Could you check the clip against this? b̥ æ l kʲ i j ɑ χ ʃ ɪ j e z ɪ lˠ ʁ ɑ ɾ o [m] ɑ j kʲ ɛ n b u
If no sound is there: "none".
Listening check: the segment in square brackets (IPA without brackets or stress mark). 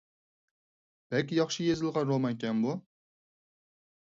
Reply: m